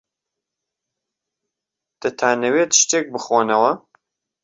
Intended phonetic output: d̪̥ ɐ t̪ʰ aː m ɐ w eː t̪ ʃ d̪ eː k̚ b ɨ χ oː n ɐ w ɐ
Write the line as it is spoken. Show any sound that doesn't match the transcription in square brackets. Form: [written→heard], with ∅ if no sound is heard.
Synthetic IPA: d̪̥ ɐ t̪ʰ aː [m→n] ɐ w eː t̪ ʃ [d̪→t̪] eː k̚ b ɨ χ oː n ɐ w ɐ

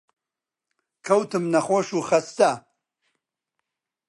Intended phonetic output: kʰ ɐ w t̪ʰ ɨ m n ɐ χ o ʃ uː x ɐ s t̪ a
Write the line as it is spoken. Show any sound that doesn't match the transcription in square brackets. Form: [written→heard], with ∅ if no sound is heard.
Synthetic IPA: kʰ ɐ w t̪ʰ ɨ m n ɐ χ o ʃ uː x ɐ s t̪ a

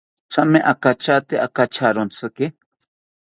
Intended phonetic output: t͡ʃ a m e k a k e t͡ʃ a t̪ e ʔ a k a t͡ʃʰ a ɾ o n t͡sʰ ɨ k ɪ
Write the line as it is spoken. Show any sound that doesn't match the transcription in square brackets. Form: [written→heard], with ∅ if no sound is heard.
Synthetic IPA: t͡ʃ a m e [k→ʔ] a k [e→a] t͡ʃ a t̪ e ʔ a k a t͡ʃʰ a ɾ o n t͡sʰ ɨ k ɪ

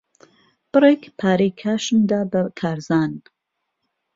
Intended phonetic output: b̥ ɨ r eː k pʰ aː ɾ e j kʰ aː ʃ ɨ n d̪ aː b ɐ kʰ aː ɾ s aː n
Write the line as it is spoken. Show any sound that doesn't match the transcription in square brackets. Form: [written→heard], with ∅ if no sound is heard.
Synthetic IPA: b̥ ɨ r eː k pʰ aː ɾ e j kʰ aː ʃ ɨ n d̪ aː b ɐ kʰ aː ɾ [s→z] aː n

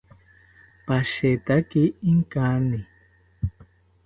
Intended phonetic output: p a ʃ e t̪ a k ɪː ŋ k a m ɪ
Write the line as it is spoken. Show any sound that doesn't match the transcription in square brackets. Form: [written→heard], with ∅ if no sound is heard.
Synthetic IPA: p a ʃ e t̪ a k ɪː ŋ k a [m→n] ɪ

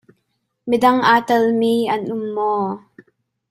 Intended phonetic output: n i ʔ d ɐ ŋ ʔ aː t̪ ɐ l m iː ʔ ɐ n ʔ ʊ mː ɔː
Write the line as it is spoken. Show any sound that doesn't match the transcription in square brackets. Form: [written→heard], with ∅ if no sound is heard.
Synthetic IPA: [n→m] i [ʔ→∅] d ɐ ŋ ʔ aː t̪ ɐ l m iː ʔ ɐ n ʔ ʊ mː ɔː

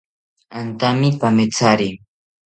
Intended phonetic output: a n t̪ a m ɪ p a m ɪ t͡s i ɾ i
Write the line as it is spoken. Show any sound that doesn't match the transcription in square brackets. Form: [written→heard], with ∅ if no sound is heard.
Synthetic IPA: a n t̪ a m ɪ p a m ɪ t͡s [i→a] ɾ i

